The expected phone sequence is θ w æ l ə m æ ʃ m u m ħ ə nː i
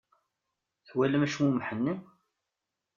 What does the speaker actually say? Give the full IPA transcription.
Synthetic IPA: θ w æ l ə m æ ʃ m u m ħ ə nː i